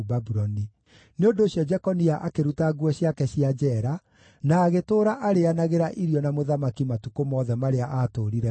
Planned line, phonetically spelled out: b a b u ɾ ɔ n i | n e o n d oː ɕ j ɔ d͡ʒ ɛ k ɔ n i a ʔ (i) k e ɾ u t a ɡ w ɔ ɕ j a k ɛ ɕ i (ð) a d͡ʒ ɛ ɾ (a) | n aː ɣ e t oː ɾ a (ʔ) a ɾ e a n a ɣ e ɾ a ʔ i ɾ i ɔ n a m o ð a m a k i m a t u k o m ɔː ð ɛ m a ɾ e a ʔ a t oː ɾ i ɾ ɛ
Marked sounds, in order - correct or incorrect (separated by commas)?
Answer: incorrect, incorrect, correct, correct